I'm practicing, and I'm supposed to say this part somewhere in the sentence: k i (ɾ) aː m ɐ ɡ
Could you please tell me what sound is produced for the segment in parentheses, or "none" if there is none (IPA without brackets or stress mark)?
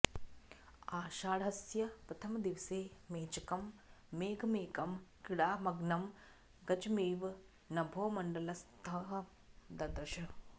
ɽ